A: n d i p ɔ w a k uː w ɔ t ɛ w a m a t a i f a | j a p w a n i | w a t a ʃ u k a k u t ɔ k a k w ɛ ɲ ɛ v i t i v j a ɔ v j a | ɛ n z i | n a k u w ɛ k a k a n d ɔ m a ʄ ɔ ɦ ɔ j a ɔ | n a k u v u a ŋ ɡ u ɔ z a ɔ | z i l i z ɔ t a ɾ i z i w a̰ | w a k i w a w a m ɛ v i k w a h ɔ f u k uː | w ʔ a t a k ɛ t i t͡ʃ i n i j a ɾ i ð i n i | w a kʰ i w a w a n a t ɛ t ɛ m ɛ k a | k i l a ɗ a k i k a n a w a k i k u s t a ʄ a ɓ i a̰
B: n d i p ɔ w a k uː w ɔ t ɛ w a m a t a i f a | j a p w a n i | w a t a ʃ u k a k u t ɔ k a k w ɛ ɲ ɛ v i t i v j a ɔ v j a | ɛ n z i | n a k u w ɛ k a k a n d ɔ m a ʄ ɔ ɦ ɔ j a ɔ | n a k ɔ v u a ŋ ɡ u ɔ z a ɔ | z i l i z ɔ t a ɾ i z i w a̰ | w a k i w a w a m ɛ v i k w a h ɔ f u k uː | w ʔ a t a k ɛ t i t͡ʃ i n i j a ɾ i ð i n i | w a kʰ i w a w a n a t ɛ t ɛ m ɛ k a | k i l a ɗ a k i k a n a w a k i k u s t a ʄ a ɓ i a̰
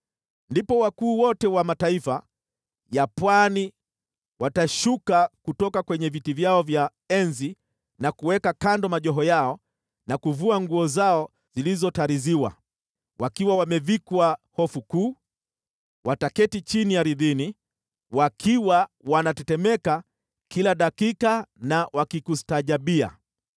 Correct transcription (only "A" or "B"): A